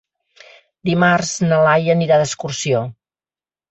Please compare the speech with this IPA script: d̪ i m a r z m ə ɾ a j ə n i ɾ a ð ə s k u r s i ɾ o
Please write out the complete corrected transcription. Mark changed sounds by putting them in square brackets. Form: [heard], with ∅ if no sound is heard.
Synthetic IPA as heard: d̪ i m a r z [n] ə [l] a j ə n i ɾ a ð ə s k u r s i [∅] o